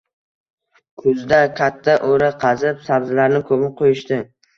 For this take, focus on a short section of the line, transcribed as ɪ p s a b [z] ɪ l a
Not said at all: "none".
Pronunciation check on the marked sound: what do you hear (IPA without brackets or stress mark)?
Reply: z